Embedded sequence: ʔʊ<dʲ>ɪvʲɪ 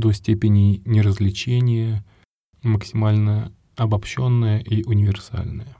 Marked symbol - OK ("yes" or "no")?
no